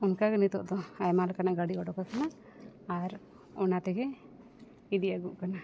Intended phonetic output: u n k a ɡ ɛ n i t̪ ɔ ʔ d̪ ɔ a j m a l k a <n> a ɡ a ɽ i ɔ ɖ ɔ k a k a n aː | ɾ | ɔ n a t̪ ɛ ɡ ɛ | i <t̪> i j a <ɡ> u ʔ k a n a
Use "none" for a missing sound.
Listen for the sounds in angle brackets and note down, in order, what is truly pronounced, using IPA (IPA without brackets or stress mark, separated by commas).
n, d̪, ɡ